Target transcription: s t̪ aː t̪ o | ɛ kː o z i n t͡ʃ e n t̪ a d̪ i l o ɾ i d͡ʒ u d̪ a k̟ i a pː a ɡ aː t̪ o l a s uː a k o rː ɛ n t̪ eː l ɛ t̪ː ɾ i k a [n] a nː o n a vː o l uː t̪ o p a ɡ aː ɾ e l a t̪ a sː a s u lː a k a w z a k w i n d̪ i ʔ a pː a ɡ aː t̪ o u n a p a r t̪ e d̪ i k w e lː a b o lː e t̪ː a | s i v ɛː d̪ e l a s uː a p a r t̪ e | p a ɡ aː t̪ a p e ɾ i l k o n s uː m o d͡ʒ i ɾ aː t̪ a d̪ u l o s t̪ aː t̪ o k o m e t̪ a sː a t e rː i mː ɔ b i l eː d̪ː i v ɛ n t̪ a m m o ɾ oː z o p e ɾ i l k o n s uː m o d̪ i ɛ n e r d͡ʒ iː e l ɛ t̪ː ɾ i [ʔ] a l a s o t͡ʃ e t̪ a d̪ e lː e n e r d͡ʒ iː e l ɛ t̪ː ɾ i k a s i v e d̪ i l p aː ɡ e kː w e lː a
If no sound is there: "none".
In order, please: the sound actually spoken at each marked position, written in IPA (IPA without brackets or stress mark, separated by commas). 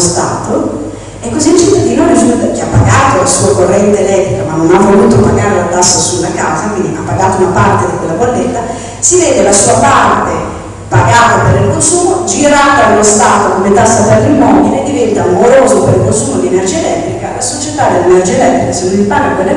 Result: m, k